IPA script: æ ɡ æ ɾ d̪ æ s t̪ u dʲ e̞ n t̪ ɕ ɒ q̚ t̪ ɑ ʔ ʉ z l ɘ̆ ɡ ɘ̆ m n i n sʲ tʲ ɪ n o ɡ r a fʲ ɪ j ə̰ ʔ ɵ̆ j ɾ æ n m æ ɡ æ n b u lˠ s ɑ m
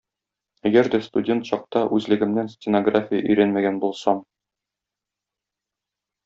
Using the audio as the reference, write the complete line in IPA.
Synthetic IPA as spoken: æ ɡ æ ɾ d̪ æ s t̪ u dʲ e̞ n t̪ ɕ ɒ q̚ t̪ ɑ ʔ ʉ z l ɘ̆ ɡ ɘ̆ m n æ n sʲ tʲ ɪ n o ɡ r a fʲ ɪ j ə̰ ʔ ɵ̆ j ɾ æ n m æ ɡ æ n b u lˠ s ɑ m